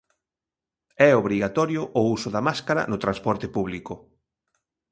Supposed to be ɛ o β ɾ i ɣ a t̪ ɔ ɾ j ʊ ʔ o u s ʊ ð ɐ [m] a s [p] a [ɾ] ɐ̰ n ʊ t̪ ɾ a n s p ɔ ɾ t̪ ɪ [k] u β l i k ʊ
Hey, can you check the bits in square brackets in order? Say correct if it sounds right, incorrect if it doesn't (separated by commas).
correct, incorrect, correct, incorrect